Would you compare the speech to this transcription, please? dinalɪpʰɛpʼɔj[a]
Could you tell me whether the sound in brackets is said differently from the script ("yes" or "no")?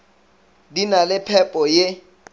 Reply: yes